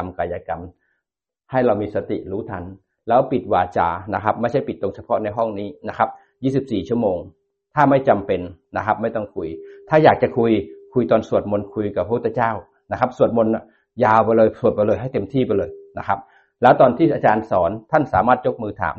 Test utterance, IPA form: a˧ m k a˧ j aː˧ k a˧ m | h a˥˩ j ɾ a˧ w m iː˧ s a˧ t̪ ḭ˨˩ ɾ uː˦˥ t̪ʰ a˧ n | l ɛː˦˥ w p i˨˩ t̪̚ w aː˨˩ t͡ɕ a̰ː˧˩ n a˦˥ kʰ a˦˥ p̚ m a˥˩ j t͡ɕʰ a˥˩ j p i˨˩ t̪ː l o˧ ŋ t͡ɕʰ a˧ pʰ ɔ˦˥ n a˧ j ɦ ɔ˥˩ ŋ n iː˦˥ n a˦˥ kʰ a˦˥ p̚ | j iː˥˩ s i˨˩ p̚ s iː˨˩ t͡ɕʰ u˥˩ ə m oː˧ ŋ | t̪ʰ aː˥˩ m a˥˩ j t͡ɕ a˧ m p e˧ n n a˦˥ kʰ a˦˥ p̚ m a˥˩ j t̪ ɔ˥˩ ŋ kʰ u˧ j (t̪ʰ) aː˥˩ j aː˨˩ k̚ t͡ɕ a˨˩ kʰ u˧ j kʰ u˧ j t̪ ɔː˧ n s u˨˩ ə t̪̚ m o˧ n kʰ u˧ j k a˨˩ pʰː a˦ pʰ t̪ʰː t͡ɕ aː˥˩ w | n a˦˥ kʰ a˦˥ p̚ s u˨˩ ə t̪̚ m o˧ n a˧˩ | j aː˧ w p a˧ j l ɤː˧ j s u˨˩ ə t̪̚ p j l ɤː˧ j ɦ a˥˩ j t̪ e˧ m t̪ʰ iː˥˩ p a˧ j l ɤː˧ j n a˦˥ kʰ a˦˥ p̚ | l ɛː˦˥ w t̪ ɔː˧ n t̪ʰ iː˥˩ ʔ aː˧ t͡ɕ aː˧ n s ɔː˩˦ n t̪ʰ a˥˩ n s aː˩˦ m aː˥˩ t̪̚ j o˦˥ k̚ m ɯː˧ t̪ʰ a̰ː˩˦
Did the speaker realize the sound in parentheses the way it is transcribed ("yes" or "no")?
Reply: yes